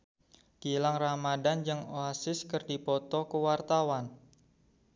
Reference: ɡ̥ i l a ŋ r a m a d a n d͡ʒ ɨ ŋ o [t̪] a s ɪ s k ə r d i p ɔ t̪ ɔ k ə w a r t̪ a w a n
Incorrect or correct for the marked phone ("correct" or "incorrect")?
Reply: incorrect